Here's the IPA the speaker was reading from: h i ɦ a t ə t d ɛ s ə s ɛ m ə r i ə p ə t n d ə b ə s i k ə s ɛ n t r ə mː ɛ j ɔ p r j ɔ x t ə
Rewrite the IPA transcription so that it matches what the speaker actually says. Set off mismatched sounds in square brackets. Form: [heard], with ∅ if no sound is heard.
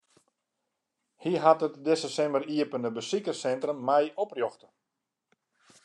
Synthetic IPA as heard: h i ɦ a t ə t d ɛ s ə s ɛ m ə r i ə p ə [∅] n d ə b ə s i k ə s ɛ n t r ə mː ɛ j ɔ p r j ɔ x t ə